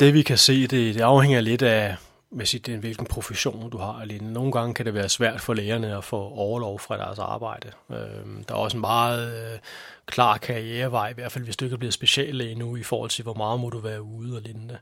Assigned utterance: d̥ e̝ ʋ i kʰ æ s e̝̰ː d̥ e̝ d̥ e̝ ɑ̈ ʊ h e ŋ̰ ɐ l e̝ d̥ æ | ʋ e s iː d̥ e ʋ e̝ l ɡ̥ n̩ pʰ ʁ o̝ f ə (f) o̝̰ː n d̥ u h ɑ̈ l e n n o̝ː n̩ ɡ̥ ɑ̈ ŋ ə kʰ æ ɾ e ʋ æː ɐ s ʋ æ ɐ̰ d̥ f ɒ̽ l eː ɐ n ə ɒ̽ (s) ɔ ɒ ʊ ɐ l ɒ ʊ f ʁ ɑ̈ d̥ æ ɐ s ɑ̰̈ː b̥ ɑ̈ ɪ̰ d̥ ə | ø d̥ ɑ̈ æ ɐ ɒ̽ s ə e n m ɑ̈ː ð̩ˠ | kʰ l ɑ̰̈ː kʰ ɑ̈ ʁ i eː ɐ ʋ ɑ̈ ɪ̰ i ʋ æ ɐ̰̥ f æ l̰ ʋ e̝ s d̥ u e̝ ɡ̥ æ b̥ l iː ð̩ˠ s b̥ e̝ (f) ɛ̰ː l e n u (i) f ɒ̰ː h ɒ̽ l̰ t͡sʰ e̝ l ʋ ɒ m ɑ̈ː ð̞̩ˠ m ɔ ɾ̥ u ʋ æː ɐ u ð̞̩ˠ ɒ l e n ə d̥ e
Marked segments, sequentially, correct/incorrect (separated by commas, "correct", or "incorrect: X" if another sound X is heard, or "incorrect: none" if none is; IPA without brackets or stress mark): incorrect: ɕ, incorrect: f, incorrect: ɕ, correct